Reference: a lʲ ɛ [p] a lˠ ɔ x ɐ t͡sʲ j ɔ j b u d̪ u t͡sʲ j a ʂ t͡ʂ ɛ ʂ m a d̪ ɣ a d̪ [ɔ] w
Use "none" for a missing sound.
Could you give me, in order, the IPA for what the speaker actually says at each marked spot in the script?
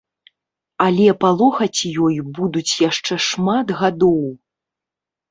p, ɔ

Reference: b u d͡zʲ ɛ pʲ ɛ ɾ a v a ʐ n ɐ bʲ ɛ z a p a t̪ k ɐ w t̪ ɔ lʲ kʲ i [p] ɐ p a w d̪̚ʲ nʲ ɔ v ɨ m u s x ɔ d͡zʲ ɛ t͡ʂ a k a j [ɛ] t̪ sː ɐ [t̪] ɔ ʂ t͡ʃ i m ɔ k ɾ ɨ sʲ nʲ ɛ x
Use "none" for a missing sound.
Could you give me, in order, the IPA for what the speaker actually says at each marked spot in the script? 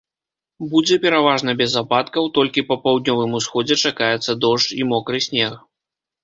p, ɛ, d̪

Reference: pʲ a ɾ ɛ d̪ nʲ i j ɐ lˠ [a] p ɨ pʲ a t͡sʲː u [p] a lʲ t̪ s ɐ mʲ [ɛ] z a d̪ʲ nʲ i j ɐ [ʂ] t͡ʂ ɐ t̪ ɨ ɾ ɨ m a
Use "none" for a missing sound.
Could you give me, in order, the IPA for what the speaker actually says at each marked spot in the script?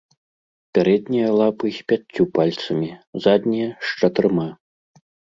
a, p, i, ʂ

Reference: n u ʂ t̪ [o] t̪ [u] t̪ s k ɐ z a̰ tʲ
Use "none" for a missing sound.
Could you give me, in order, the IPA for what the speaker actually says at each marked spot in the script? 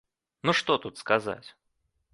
o, u

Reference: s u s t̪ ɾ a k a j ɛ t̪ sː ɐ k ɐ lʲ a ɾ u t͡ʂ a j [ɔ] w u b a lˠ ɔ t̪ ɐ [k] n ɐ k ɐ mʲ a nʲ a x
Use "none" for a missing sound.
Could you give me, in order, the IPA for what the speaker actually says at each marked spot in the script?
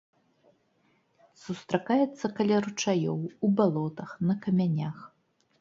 ɔ, x

